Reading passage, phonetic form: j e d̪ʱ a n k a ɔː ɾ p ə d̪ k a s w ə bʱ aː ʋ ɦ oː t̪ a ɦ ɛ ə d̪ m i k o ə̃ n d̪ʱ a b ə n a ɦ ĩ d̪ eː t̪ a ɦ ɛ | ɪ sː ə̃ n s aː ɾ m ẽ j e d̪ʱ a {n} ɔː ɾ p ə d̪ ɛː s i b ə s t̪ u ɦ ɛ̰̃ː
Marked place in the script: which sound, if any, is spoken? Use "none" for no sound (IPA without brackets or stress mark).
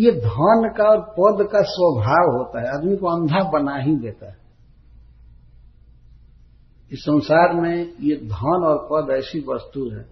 n